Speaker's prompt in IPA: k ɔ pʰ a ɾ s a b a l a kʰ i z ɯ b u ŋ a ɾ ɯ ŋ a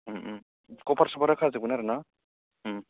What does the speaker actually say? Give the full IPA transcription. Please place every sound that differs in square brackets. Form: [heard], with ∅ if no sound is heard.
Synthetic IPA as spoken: k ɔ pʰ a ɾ s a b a [ɾ] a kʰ [a] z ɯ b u [n] a ɾ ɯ [n] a